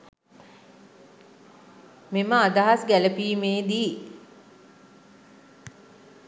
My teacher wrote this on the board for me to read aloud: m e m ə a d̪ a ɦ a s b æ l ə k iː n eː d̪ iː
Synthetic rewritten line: m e m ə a d̪ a ɦ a s ɡ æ l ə p iː m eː d̪ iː